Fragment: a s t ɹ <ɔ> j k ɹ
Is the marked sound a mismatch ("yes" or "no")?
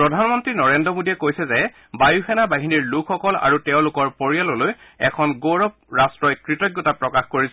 no